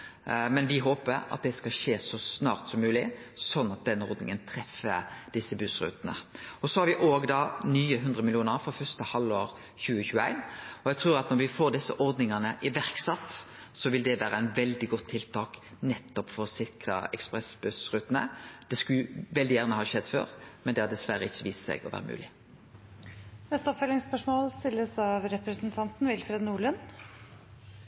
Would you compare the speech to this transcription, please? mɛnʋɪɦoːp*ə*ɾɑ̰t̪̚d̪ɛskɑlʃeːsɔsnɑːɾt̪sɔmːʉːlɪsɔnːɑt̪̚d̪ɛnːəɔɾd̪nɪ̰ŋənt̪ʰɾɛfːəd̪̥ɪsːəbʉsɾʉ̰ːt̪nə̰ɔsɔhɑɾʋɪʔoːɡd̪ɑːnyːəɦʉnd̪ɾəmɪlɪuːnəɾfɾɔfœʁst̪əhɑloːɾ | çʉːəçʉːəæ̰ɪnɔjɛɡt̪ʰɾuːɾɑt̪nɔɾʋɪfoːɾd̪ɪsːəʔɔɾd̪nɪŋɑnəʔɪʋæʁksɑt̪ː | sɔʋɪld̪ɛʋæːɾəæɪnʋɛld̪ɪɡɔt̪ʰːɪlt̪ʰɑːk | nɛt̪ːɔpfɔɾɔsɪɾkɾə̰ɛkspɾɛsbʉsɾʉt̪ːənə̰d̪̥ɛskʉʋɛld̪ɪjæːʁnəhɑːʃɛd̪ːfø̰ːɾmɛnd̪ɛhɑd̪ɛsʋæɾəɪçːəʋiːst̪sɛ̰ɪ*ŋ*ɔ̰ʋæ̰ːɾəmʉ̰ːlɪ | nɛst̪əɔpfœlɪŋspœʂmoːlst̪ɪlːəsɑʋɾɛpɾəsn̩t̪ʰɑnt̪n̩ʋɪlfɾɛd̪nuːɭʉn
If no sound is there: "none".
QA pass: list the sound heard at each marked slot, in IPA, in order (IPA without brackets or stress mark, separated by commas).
ə, ɡ